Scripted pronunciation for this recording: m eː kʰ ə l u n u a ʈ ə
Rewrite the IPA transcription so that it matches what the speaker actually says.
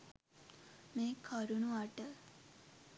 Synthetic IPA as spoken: m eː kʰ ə ɾ u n u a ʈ ə

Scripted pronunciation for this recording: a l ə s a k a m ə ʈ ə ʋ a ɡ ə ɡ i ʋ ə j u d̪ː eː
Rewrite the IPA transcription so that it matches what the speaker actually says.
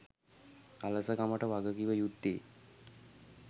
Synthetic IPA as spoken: a l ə s ə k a m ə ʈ ə ʋ a ɡ ə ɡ i ʋ ə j u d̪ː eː

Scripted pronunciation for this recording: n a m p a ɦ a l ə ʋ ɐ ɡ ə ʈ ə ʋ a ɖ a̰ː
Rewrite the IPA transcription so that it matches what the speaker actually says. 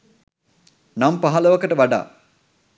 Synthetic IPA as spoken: n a m p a ɦ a l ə ʋ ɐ k ə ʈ ə ʋ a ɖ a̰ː

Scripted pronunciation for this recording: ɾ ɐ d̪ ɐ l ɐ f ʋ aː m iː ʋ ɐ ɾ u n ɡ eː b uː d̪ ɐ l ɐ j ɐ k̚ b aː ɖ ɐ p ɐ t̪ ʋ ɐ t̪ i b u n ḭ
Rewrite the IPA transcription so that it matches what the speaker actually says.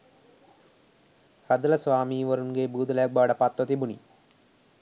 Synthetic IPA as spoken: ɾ ɐ d̪ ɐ l ɐ s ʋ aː m iː ʋ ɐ ɾ u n ɡ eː b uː d̪ ɐ l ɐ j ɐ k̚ b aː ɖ ɐ p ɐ t̪ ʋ ɐ t̪ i b u n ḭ

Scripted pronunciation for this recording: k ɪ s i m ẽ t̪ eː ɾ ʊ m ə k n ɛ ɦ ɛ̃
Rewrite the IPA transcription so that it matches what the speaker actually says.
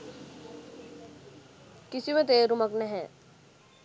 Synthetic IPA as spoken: k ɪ s i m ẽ t̪ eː ɾ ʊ m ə k n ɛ ɦ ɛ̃

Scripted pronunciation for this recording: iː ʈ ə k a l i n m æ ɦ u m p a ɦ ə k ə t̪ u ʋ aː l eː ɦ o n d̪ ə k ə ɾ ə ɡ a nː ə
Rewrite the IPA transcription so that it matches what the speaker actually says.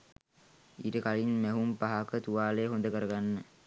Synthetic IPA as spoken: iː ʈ ə k a l i n m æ ɦ u m p a ɦ a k ə t̪ u ʋ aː l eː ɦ o n d̪ ə k ə ɾ ə ɡ a nː ə

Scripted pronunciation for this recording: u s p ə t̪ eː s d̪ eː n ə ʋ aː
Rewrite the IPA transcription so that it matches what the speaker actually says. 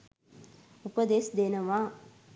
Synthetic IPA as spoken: u p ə d̪ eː s d̪ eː n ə ʋ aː

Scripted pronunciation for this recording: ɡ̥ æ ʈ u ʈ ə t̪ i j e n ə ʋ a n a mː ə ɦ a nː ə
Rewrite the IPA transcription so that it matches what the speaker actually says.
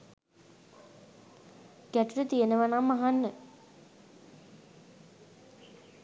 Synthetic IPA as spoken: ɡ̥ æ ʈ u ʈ ə t̪ i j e n ə ʋ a n a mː a ɦ a nː ə

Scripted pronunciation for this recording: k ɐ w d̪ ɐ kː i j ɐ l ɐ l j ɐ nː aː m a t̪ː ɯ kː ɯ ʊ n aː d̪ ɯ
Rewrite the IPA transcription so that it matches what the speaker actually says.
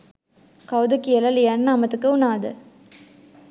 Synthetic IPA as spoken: k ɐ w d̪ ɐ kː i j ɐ l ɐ l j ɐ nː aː m ɐ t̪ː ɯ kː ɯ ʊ n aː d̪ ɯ

